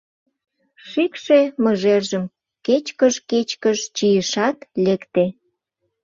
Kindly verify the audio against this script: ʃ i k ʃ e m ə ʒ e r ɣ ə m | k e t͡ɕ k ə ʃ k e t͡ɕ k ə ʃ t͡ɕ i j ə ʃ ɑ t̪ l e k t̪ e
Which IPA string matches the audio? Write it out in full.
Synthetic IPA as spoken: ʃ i k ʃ e m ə ʒ e r ʒ ə m | k e t͡ɕ k ə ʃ k e t͡ɕ k ə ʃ t͡ɕ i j ə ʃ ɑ t̪ l e k t̪ e